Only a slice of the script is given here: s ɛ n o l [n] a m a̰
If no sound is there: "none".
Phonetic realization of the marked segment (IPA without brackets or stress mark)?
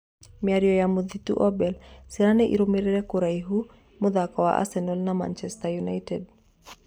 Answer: n